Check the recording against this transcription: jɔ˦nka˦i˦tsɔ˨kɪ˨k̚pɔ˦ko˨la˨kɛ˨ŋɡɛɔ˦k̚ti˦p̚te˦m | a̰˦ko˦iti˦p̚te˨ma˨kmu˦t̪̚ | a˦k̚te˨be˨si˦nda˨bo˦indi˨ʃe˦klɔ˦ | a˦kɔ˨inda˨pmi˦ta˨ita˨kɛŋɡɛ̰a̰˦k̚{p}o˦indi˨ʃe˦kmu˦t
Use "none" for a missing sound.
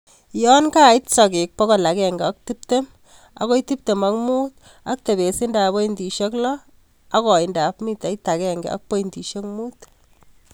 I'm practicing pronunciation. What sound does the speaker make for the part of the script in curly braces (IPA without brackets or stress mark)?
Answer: p